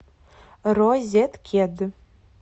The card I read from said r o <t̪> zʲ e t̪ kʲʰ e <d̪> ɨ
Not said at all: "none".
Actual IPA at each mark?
none, d̪

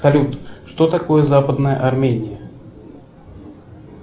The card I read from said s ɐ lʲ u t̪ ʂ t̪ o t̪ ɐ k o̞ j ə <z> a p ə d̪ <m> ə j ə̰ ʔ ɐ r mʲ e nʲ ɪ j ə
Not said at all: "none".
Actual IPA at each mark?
z, n

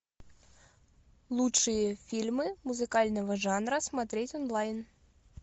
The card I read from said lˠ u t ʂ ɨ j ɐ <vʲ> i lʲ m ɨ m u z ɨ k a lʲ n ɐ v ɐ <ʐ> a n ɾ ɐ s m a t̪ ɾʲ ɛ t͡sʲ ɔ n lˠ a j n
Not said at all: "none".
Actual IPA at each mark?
fʲ, ʐ

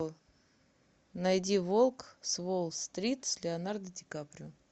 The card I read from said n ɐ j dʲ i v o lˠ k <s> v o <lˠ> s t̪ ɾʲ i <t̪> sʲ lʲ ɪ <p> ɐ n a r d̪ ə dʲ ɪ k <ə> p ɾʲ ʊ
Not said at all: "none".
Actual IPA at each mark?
s, lˠ, t̪, none, a

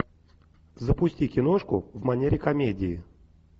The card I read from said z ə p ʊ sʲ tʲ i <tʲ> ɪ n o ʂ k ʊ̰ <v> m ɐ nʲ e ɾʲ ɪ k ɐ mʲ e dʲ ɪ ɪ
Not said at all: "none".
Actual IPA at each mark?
kʲ, v

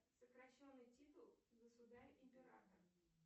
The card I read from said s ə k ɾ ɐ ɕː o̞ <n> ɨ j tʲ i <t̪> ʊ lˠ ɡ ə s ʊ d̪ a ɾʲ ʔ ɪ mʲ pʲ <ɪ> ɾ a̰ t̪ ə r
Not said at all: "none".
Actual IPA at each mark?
nː, t̪, ɪ

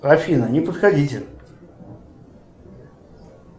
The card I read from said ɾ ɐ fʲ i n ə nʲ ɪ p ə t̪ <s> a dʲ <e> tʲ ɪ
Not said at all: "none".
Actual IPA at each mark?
x, i

